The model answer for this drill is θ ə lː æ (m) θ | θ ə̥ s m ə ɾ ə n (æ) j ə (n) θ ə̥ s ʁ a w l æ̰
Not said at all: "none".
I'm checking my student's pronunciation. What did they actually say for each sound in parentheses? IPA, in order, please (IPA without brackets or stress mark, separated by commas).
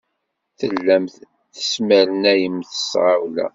m, æ, m